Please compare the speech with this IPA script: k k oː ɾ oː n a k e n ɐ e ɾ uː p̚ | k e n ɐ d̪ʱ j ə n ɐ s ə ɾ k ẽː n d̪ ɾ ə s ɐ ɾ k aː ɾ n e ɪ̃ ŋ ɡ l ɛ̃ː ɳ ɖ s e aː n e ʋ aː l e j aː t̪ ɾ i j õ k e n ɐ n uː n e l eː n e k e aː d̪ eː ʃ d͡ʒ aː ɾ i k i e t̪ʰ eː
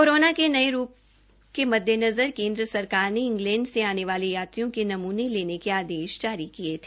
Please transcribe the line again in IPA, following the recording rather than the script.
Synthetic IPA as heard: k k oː ɾ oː n a k e n ɐ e ɾ uː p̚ | k e m ɐ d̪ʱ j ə n ɐ z ə ɾ k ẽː n d̪ ɾ ə s ɐ ɾ k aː ɾ n e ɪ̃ ŋ ɡ l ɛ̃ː ɳ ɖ s e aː n e ʋ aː l e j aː t̪ ɾ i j õ k e n ɐ m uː n e l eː n e k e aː d̪ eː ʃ d͡ʒ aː ɾ i k i e t̪ʰ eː